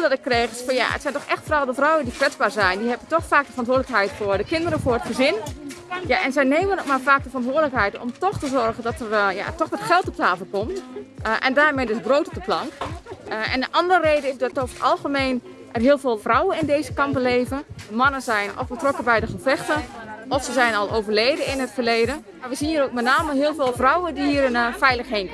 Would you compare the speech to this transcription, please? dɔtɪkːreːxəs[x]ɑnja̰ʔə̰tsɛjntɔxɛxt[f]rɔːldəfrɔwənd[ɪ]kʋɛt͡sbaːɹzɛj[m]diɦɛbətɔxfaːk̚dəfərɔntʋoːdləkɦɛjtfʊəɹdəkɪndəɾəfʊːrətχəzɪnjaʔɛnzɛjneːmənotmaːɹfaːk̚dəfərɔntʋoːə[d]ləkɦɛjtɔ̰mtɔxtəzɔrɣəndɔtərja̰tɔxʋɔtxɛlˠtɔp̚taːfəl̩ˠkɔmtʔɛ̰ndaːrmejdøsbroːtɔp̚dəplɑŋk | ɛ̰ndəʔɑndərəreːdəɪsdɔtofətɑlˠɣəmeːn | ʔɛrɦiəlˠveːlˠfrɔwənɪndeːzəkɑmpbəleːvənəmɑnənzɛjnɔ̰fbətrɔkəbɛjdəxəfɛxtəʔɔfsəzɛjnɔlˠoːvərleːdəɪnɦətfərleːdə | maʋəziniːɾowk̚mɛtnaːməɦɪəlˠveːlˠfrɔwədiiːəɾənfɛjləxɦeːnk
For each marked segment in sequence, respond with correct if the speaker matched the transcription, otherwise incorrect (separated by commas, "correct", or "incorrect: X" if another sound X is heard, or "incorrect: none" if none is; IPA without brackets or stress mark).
incorrect: f, correct, incorrect: i, incorrect: n, correct